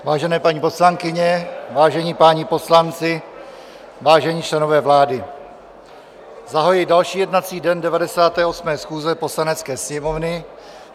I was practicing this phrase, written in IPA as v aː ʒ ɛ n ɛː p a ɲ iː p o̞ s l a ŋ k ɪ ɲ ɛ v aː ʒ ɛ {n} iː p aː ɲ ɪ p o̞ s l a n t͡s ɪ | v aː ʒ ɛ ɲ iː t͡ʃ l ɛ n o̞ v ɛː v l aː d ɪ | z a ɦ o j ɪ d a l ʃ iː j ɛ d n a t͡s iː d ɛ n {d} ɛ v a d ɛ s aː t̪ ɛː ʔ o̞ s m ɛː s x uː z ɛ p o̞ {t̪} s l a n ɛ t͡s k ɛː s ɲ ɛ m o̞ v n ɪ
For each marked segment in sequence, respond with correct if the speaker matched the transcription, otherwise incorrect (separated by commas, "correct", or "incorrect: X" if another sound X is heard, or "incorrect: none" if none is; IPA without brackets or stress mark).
incorrect: ɲ, correct, incorrect: none